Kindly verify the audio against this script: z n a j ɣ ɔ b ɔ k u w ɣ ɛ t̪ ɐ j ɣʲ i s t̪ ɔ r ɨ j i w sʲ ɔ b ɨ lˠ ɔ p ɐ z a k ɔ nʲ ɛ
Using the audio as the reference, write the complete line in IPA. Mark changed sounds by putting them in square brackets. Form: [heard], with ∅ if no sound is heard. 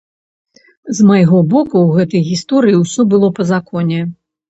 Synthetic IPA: z [m] a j ɣ ɔ b ɔ k u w ɣ ɛ t̪ ɐ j ɣʲ i s t̪ ɔ [ɾ] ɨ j i w sʲ ɔ b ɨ lˠ ɔ p ɐ z a k ɔ nʲ ɛ